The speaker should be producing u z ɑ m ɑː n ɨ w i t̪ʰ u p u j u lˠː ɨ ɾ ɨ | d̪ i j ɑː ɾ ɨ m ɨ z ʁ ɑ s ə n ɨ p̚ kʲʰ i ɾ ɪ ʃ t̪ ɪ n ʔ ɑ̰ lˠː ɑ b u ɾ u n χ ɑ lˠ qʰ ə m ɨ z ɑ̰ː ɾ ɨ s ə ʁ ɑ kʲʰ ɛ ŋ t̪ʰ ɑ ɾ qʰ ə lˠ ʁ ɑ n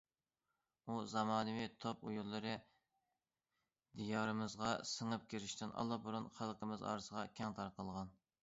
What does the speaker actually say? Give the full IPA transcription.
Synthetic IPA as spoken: u z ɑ m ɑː n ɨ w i t̪ʰ o p u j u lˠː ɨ ɾ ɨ | d̪ i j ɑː ɾ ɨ m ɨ z ʁ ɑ s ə ŋ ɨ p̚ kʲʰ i ɾ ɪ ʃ t̪ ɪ n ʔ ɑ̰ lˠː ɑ b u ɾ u n χ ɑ lˠ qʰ ə m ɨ z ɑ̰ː ɾ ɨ s ə ʁ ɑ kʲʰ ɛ ŋ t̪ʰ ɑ ɾ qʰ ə lˠ ʁ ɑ n